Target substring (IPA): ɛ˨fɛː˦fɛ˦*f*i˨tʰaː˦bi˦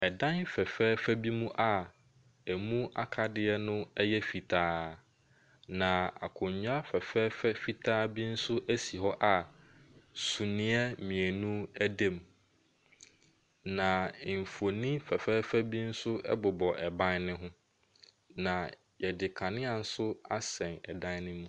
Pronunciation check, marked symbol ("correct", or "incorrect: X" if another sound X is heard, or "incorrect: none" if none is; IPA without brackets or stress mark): correct